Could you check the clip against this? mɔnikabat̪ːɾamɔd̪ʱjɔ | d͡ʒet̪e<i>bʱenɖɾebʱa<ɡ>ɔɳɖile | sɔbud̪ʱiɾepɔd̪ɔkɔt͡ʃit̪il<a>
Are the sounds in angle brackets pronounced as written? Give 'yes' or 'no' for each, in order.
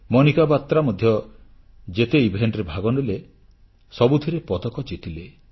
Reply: yes, yes, no

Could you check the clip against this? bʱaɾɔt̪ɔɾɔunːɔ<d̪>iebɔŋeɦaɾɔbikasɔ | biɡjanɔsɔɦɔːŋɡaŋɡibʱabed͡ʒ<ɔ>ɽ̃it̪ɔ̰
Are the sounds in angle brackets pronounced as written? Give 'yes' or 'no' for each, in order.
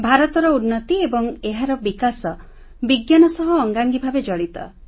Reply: no, yes

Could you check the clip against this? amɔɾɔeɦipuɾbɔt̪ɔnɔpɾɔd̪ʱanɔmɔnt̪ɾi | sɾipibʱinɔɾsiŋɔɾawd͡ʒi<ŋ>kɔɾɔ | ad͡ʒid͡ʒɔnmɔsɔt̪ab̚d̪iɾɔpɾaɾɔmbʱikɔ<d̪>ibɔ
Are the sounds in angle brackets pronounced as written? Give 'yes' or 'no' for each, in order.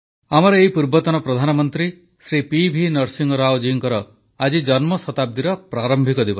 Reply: yes, yes

